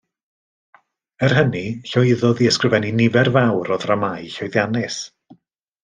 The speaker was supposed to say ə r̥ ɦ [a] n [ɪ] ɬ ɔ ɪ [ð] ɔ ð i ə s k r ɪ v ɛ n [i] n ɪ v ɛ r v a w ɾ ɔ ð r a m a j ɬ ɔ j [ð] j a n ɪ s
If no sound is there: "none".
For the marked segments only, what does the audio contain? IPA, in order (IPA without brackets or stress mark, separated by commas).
ə, i, ð, i, ð